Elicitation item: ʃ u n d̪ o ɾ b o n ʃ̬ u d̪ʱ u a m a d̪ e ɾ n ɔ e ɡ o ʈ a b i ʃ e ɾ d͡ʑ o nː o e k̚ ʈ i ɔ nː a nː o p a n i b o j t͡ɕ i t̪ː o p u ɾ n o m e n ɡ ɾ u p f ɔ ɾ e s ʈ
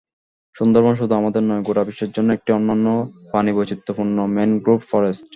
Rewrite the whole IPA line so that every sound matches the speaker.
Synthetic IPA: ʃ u n d̪ o ɾ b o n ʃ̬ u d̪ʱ u a m a d̪ e ɾ n ɔ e ɡ o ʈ a b i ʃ e ɾ d͡ʑ o nː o e k̚ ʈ i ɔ nː a nː o p a n i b o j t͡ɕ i t̪ː o p u ɾ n o m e n ɡ ɾ u p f ɔ ɾ e s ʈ